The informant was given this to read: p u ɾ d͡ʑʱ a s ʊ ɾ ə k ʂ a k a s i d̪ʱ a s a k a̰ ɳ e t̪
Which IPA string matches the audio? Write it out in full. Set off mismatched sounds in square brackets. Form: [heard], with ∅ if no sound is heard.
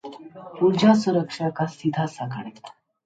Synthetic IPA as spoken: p u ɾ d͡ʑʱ a s [u] ɾ ə k ʂ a k a s i d̪ʱ a s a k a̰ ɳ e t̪